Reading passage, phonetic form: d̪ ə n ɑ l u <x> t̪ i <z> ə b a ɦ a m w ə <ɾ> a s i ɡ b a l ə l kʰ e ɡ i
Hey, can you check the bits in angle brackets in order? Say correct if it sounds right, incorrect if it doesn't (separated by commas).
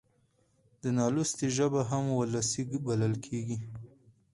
incorrect, incorrect, incorrect